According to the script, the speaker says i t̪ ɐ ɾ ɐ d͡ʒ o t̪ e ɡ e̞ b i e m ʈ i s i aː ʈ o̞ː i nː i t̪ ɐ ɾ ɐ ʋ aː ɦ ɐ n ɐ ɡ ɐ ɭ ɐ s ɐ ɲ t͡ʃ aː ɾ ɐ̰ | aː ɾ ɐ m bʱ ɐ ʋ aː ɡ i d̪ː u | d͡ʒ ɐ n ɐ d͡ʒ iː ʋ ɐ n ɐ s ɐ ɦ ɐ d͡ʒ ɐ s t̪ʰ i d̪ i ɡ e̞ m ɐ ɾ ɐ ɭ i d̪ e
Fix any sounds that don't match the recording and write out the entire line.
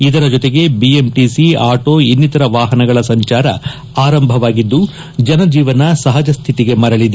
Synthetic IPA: i d̪ ɐ ɾ ɐ d͡ʒ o t̪ e ɡ e̞ b i e m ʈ i s i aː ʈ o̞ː i nː i t̪ ɐ ɾ ɐ ʋ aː ɦ ɐ n ɐ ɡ ɐ ɭ ɐ s ɐ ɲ t͡ʃ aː ɾ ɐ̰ | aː ɾ ɐ m bʱ ɐ ʋ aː ɡ i d̪ː u | d͡ʒ ɐ n ɐ d͡ʒ iː ʋ ɐ n ɐ s ɐ ɦ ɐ d͡ʒ ɐ s t̪ʰ i t̪ i ɡ e̞ m ɐ ɾ ɐ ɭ i d̪ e

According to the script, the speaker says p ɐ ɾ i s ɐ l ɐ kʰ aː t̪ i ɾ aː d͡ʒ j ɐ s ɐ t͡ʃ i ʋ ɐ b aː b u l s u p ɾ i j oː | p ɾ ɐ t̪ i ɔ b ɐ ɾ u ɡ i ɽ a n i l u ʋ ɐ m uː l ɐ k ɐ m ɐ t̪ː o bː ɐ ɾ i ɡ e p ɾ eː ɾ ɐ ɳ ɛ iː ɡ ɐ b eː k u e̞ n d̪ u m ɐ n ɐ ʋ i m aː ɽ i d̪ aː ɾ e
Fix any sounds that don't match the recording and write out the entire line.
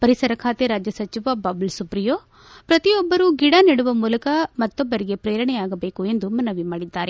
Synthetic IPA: p ɐ ɾ i s ɐ ɾ ɐ kʰ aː t̪ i ɾ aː d͡ʒ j ɐ s ɐ t͡ʃ i ʋ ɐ b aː b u l s u p ɾ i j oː | p ɾ ɐ t̪ i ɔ bː ɐ ɾ u ɡ i ɽ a n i ɽ u ʋ ɐ m uː l ɐ k ɐ m ɐ t̪ː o bː ɐ ɾ i ɡ e p ɾ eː ɾ ɐ ɳ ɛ aː ɡ ɐ b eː k u e̞ n d̪ u m ɐ n ɐ ʋ i m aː ɽ i d̪ː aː ɾ e

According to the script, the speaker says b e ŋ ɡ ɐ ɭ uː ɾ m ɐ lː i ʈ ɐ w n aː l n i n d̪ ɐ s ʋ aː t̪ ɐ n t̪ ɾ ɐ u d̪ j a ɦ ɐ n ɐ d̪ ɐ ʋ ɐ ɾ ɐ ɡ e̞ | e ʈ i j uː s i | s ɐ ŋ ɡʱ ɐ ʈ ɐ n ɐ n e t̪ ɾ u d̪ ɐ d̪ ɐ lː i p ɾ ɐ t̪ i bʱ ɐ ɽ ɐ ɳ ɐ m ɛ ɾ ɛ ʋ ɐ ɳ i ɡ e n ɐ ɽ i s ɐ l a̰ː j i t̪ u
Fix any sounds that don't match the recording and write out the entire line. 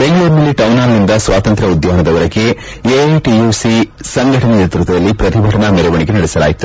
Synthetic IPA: b e ŋ ɡ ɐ ɭ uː ɾ n ɐ lː i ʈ ɐ w n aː l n i n d̪ ɐ s ʋ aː t̪ ɐ n t̪ ɾ ɐ u d̪ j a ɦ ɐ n ɐ d̪ ɐ ʋ ɐ ɾ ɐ ɡ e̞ | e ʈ i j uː s i | s ɐ ŋ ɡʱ ɐ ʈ ɐ n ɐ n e t̪ ɾ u t̪ ɐ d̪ ɐ lː i p ɾ ɐ t̪ i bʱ ɐ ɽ ɐ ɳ ɐ m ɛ ɾ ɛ ʋ ɐ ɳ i ɡ e n ɐ ɽ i s ɐ l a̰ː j i t̪ u

